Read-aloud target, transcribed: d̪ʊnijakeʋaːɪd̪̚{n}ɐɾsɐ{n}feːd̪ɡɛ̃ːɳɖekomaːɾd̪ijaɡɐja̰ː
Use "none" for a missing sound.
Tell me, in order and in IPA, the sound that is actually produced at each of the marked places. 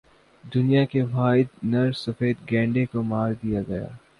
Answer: n, none

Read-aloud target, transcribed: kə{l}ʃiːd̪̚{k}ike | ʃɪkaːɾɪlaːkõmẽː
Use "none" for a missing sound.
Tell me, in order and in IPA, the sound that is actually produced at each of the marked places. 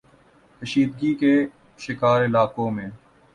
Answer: none, ɡ

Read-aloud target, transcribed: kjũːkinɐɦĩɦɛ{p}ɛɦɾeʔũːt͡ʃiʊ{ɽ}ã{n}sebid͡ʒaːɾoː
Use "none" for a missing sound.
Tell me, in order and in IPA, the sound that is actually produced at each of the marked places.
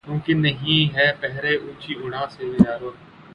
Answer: p, ɽ, none

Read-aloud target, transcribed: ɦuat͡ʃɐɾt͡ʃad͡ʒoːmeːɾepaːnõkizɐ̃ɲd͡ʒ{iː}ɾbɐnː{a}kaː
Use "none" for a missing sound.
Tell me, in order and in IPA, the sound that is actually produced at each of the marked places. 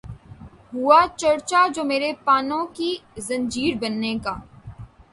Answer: iː, e

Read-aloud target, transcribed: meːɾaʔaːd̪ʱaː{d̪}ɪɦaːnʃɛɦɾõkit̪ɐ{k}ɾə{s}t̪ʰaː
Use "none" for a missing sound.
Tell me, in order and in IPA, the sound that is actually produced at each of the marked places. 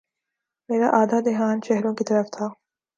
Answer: d̪, none, f

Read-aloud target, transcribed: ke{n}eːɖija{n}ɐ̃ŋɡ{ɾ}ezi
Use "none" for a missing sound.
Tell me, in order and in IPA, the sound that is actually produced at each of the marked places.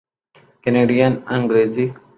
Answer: n, n, ɾ

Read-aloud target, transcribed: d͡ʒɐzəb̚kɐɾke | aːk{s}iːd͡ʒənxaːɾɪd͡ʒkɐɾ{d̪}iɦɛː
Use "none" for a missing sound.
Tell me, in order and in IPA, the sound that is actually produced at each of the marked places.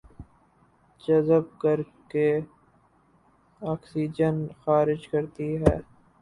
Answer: s, t̪

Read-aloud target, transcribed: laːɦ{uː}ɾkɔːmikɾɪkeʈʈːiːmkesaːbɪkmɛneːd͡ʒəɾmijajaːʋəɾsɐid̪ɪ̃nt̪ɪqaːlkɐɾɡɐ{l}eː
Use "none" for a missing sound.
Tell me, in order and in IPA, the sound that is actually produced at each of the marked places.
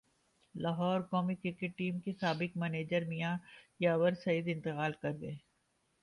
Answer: ɔː, none

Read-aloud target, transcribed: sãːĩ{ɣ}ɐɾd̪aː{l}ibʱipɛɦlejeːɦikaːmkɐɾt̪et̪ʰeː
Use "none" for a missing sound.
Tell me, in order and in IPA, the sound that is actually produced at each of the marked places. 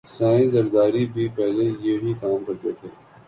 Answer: z, ɾ

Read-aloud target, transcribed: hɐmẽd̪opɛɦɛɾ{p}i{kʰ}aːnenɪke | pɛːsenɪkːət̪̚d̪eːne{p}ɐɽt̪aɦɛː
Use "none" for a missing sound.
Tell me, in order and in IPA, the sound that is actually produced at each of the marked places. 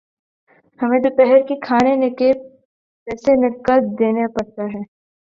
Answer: k, kʰ, p

